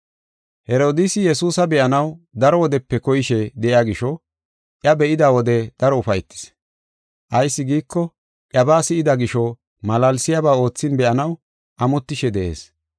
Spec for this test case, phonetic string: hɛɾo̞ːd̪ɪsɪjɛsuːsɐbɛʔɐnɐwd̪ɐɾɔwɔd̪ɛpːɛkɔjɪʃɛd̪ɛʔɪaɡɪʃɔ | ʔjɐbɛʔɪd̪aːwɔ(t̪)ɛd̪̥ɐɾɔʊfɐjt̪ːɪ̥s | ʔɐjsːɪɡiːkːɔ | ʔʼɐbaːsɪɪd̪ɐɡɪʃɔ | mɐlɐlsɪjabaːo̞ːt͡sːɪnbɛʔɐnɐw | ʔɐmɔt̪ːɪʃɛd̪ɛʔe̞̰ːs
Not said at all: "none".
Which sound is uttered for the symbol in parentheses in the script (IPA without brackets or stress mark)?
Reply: d̪